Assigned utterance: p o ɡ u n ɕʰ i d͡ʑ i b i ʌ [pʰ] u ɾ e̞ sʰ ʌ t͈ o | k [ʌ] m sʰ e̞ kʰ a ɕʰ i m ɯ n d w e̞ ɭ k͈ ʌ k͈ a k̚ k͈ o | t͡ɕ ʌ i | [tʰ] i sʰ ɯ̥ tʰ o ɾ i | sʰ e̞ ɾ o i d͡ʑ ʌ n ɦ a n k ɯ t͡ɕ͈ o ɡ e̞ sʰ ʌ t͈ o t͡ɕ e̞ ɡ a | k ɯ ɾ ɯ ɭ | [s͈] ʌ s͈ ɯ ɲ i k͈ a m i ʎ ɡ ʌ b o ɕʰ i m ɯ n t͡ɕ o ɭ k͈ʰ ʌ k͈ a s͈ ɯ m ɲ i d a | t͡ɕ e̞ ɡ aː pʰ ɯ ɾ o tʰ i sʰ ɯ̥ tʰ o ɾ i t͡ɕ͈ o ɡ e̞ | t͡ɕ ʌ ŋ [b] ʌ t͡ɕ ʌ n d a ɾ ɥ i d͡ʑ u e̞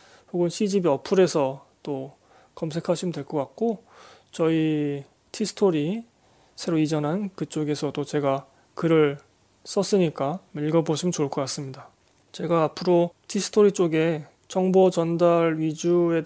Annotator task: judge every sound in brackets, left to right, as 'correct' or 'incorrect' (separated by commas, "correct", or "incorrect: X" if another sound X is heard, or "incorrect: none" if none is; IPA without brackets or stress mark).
correct, correct, correct, correct, correct